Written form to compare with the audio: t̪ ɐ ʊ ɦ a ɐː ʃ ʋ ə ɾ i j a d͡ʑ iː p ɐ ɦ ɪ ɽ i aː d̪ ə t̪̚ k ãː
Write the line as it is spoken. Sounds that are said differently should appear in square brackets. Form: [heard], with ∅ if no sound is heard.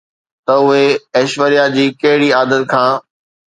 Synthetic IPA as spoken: t̪ ɐ ʊ ɦ [e] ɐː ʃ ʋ ə ɾ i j a d͡ʑ iː [k] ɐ ɦ ɪ ɽ i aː d̪ ə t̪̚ [kʰ] ãː